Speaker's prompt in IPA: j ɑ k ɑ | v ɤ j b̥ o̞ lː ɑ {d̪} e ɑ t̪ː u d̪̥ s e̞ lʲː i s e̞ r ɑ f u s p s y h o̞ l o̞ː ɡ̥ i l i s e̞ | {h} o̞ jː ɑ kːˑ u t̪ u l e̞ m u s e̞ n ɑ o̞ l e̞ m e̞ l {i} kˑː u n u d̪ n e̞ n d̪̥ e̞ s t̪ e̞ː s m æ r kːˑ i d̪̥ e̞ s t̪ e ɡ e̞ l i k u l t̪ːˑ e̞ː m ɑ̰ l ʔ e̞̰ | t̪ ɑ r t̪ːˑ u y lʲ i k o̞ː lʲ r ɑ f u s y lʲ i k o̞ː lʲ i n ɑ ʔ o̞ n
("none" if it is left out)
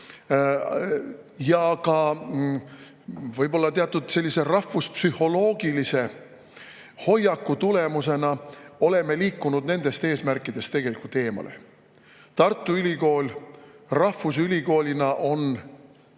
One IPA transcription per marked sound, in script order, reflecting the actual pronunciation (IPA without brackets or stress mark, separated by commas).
t̪, h, iː